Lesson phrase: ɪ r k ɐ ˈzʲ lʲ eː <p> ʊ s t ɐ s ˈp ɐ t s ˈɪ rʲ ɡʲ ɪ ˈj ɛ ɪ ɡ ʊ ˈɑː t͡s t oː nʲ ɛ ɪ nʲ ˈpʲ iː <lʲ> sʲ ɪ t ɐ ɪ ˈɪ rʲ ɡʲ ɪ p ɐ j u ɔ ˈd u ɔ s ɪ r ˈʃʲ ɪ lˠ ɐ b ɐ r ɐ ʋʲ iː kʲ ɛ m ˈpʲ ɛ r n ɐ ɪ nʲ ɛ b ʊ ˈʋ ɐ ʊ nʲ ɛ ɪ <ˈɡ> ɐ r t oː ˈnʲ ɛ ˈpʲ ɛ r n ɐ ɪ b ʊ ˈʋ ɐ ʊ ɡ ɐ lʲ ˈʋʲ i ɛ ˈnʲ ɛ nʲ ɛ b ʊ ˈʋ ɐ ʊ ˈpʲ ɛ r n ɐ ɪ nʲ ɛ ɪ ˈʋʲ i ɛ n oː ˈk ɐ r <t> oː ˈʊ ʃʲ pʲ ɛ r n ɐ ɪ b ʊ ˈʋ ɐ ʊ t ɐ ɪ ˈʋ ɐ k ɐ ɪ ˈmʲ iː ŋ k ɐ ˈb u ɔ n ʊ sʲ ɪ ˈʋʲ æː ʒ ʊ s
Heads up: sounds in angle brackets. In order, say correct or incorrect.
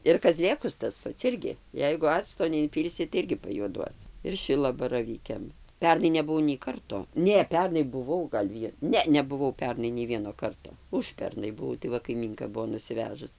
incorrect, correct, incorrect, correct

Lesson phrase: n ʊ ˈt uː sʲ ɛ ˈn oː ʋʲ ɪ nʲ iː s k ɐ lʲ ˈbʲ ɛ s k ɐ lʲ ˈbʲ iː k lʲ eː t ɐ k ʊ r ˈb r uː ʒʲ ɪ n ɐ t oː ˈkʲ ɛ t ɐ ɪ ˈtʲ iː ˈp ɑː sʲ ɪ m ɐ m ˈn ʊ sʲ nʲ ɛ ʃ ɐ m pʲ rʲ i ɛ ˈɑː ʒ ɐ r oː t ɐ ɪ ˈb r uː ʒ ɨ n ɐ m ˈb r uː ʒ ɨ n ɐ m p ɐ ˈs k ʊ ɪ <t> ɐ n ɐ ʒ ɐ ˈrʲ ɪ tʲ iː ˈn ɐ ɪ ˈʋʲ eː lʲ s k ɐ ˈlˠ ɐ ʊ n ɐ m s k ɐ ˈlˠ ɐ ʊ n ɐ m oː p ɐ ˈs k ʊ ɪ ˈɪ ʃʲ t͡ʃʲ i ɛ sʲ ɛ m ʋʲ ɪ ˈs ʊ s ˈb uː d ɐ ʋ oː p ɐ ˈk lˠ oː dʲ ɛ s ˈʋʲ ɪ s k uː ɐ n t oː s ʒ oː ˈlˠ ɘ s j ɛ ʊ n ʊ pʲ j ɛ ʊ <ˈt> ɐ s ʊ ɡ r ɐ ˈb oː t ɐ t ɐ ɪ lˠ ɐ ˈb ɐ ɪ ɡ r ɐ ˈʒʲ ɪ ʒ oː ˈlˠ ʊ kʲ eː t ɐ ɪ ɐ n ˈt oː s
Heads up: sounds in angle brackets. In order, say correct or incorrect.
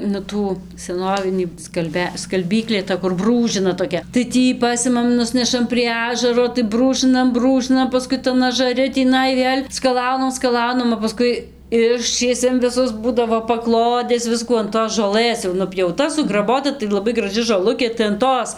correct, correct

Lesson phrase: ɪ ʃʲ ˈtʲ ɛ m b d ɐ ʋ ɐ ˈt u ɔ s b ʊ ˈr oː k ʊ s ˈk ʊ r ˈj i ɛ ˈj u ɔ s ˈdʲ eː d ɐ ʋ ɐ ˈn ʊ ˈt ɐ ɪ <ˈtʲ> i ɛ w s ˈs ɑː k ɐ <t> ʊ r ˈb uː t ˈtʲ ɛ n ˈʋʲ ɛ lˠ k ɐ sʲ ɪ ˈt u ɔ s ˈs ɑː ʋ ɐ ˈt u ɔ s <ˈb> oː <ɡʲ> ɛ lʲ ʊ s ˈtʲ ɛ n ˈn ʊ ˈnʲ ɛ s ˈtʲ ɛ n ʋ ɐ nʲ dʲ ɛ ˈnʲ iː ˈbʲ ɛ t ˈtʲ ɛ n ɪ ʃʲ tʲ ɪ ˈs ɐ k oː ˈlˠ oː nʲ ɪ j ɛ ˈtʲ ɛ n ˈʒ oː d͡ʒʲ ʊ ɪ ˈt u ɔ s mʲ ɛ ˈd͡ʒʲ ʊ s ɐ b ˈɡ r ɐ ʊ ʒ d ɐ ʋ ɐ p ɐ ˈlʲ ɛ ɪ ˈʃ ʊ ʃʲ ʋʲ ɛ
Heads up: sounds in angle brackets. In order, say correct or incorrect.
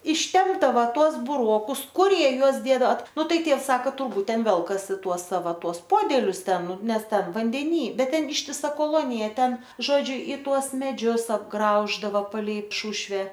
correct, correct, incorrect, incorrect

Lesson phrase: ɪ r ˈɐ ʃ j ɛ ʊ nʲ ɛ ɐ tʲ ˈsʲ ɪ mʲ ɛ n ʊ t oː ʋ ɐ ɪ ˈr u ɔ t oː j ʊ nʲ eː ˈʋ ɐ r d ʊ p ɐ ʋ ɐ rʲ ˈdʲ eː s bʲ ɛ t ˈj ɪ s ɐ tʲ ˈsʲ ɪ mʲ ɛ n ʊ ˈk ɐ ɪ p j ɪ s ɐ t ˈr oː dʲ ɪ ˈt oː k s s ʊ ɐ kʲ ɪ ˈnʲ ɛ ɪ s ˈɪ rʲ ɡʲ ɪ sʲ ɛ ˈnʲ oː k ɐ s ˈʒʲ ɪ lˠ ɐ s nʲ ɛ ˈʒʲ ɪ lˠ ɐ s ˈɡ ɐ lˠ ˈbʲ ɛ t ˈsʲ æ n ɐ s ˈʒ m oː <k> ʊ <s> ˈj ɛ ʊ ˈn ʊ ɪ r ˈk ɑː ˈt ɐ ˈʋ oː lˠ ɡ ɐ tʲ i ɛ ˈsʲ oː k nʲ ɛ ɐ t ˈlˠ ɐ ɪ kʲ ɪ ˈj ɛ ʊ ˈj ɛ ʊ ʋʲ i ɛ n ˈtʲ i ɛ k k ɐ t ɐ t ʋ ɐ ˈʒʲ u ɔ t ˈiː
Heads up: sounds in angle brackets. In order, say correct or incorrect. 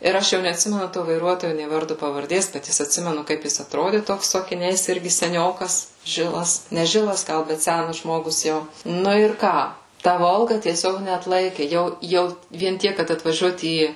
incorrect, correct

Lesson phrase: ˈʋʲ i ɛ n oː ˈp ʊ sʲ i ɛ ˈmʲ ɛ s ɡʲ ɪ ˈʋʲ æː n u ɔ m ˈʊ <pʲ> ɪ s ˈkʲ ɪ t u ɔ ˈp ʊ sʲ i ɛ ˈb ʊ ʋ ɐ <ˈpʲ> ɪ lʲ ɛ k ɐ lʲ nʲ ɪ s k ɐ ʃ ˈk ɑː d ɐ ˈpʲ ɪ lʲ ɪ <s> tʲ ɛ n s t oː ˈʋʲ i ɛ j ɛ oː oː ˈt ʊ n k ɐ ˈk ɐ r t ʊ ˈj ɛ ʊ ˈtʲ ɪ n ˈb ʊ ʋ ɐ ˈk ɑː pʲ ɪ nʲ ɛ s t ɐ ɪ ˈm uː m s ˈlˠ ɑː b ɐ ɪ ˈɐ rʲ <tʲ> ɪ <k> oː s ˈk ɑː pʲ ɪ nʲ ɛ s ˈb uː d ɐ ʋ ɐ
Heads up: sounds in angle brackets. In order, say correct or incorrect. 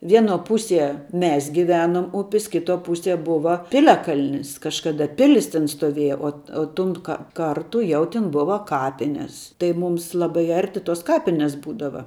correct, correct, correct, correct, incorrect

